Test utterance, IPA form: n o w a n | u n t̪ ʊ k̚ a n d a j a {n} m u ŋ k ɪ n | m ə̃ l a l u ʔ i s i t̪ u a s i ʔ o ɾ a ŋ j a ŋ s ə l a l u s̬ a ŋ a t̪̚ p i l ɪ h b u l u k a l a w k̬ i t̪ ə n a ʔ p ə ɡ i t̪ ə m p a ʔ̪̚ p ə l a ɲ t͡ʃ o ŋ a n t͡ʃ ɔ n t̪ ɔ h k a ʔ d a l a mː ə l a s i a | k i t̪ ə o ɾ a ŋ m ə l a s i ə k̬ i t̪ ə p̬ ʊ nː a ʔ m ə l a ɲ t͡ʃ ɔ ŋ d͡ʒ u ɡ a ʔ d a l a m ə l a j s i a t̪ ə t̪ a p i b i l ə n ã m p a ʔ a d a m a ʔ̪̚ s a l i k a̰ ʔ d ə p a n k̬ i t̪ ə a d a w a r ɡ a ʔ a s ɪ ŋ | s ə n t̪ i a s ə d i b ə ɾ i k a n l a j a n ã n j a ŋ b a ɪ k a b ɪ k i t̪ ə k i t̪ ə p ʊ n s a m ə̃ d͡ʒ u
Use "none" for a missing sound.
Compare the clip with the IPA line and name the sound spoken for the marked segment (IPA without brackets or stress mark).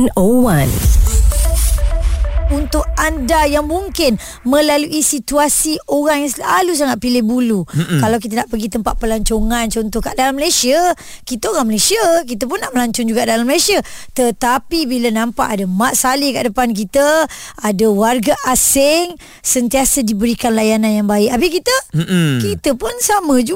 ŋ